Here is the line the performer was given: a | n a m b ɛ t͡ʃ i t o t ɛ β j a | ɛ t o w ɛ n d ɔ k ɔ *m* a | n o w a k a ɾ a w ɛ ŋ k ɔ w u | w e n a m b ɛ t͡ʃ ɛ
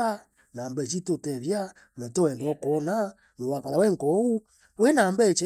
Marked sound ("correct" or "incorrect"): incorrect